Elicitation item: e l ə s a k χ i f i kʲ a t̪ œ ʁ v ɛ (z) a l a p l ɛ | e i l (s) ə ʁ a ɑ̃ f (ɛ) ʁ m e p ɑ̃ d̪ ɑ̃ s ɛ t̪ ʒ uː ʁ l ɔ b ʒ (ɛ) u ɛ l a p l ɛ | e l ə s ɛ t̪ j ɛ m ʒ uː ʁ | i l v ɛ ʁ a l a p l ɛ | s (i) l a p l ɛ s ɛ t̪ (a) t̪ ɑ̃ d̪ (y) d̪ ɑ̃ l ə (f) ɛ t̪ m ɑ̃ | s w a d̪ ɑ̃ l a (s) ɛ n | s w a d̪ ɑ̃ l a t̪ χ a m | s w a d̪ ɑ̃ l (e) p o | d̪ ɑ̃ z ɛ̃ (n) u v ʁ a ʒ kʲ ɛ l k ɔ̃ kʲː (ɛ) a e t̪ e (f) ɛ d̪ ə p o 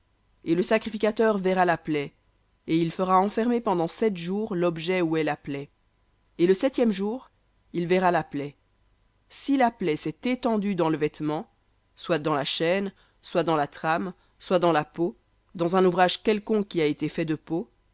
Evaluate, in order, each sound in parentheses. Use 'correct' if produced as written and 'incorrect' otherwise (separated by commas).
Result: incorrect, incorrect, correct, correct, correct, incorrect, correct, incorrect, incorrect, incorrect, correct, incorrect, correct